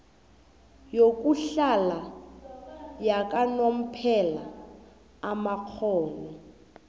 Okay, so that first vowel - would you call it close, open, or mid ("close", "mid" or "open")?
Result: mid